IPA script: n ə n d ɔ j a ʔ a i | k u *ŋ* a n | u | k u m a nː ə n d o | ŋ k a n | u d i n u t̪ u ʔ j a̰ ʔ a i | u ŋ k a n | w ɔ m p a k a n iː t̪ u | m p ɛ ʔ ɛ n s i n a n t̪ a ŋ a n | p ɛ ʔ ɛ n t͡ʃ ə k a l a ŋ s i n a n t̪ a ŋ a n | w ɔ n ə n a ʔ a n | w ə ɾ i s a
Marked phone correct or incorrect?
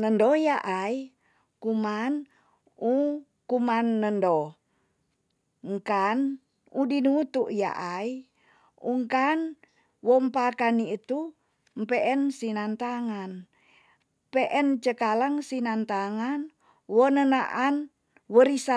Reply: incorrect